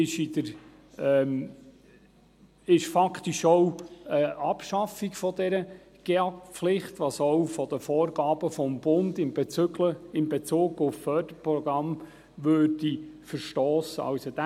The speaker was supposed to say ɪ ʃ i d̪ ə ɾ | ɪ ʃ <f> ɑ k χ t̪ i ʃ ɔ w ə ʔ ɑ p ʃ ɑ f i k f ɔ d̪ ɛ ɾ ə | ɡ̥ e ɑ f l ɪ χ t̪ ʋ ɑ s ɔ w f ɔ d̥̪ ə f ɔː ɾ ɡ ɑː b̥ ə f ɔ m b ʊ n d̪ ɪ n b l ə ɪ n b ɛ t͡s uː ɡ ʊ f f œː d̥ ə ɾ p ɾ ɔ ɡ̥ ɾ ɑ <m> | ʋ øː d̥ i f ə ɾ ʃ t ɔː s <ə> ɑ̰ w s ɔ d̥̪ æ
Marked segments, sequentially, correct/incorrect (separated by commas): correct, correct, correct